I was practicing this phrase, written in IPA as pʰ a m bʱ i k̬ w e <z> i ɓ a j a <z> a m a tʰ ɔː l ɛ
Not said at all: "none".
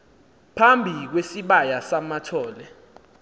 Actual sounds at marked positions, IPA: s, s

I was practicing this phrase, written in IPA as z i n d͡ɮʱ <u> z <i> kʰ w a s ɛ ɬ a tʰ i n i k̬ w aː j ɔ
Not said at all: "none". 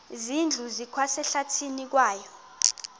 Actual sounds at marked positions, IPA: u, i

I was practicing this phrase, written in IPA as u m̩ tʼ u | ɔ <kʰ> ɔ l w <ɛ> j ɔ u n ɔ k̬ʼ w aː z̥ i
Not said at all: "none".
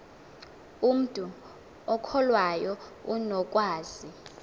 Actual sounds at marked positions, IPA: kʰ, a

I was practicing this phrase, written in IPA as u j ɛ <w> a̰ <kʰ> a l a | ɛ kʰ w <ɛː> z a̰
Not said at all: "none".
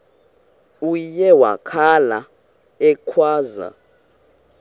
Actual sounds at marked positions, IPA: w, kʰ, aː

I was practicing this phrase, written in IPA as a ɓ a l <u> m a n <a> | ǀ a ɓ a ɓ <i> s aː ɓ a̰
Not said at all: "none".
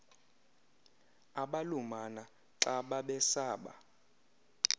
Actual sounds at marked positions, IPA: u, a, ɛ

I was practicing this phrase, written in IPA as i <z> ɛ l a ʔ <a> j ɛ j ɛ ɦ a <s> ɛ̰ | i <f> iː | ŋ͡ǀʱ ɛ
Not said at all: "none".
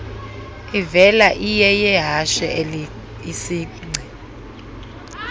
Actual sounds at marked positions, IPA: v, i, ʃ, s

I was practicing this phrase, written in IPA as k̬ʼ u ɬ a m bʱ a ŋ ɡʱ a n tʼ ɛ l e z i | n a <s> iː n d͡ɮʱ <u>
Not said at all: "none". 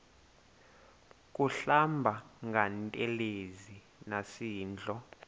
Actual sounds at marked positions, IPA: s, ɔ

